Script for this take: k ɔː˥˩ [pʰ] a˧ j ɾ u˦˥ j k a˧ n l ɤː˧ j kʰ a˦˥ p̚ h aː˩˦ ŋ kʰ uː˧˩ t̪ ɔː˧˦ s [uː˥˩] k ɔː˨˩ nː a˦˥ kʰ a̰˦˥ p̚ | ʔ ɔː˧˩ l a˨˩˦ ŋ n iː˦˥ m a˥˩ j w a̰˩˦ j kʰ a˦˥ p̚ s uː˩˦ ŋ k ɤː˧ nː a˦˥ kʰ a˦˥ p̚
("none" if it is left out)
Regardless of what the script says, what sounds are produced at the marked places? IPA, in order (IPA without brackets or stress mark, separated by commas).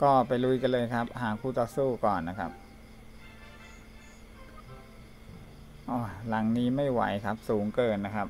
p, uː˥˩